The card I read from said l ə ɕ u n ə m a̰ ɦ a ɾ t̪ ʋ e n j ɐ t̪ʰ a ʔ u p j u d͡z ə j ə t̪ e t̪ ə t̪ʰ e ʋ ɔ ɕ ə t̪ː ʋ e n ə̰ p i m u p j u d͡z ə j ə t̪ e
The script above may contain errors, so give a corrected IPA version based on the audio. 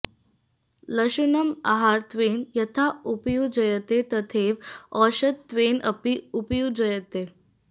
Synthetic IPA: l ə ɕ u n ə m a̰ ɦ a ɾ t̪ ʋ e n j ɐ t̪ʰ a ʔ u p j u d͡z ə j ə t̪ e t̪ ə t̪ʰ e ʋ ɔ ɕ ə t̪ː ʋ e n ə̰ p i u p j u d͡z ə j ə t̪ e